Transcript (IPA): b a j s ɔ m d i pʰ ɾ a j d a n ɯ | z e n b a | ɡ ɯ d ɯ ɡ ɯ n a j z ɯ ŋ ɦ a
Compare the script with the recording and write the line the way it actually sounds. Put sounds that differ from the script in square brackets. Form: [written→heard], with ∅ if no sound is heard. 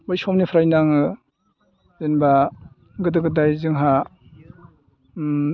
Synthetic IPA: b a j s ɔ m [d→n] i pʰ ɾ a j [d→n] a [n→ŋ] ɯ | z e n b a | ɡ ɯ d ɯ ɡ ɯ [n→d] a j z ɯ ŋ ɦ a